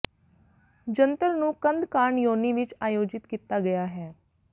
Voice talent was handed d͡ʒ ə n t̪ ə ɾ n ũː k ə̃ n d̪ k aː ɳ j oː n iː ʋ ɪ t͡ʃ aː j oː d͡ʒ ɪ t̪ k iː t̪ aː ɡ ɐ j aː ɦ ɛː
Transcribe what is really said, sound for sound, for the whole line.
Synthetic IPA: d͡ʒ ə n t̪ ə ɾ n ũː k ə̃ n d̪ k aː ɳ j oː n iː ʋ ɪ t͡ʃ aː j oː d͡ʒ ɪ t̪ k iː t̪ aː ɡ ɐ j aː ɦ ɛː